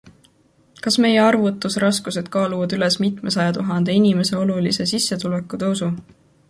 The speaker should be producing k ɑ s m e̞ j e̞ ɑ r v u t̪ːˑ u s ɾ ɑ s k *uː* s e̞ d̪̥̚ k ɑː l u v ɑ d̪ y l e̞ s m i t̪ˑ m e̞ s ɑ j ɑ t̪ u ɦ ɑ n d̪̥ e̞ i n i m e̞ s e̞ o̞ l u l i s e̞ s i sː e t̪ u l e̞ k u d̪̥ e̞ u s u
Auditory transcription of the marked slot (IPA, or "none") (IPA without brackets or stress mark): u